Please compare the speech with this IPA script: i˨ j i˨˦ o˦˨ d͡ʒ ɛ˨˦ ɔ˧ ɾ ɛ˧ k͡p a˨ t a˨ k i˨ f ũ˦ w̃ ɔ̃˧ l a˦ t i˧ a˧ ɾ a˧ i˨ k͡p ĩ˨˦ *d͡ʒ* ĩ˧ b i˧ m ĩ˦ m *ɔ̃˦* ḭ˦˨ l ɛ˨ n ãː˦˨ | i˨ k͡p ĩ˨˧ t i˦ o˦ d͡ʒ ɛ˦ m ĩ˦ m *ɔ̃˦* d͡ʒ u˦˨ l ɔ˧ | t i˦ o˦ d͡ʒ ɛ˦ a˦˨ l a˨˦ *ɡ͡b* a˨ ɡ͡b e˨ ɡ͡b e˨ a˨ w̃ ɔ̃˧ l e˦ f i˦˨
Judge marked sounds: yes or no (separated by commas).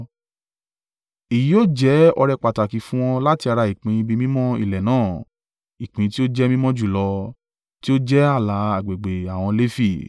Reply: no, yes, yes, no